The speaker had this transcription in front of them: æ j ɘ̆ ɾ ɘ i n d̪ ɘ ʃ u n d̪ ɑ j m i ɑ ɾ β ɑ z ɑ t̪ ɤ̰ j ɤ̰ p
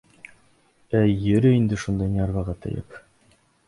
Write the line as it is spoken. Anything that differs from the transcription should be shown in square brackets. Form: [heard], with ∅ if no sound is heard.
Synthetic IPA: æ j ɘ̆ ɾ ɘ i n d̪ ɘ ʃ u n d̪ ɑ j [n] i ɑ ɾ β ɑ [ʁ] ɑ t̪ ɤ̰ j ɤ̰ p